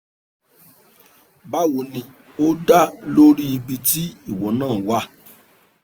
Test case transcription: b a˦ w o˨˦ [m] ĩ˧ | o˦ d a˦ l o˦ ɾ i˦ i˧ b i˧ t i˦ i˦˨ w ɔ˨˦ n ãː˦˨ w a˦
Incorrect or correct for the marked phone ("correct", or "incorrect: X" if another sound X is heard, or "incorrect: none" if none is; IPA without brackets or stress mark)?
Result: incorrect: n